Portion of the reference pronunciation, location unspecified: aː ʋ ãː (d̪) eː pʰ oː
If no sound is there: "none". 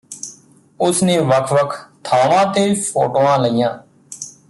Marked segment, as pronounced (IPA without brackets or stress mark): t̪